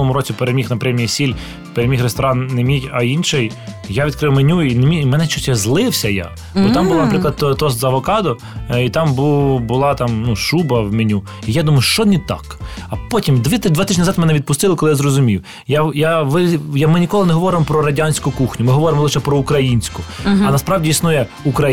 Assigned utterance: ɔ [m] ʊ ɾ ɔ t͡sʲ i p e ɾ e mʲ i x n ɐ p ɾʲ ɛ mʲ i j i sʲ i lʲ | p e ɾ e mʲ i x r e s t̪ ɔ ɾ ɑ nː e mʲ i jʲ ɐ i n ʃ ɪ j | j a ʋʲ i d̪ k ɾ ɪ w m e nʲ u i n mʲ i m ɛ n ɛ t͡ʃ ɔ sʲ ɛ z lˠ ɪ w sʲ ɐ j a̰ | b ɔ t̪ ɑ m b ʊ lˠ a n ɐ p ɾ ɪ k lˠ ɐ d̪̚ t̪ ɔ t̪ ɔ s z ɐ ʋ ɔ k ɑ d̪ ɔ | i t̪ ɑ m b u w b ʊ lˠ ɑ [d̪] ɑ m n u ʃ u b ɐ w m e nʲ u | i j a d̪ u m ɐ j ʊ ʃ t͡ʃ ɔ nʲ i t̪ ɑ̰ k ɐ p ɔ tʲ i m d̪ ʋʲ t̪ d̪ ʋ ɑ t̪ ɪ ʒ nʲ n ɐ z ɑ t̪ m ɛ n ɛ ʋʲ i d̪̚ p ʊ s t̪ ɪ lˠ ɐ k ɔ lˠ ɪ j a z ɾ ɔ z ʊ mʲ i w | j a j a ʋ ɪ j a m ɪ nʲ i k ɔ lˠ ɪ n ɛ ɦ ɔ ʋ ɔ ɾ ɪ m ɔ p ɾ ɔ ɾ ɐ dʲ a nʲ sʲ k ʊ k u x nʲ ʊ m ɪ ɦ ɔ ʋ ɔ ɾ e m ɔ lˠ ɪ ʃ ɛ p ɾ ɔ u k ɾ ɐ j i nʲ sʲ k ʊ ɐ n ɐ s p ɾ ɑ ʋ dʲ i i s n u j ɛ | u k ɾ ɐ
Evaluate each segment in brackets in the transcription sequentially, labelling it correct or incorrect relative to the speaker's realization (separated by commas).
correct, incorrect